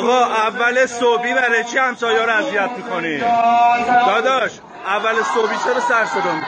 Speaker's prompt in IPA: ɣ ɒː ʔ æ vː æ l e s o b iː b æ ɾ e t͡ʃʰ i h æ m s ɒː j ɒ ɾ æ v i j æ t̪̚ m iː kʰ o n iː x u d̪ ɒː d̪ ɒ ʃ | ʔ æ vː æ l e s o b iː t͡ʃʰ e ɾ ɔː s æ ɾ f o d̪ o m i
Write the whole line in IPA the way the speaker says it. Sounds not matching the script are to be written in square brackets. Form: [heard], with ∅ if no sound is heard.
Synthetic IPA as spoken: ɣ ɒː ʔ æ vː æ l e s o b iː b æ ɾ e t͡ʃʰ i h æ m s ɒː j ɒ ɾ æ [z] i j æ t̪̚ m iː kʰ o n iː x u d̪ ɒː d̪ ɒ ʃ | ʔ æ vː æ l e s o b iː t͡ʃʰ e ɾ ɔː s æ ɾ [s] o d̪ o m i